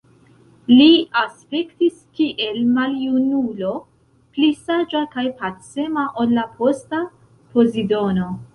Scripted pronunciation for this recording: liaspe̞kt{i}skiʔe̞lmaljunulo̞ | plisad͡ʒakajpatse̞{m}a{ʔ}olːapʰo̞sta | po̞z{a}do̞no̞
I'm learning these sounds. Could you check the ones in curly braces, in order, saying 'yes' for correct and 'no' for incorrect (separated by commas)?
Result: yes, yes, yes, no